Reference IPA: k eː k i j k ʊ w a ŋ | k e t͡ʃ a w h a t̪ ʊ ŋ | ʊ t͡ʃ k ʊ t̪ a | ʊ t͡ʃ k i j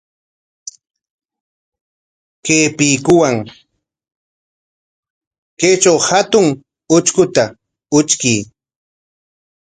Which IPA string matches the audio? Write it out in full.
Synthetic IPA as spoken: k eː p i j k ʊ w a ŋ | k e t͡ʃ a w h a t̪ ʊ ŋ | ʊ t͡ʃ k ʊ t̪ a | ʊ t͡ʃ k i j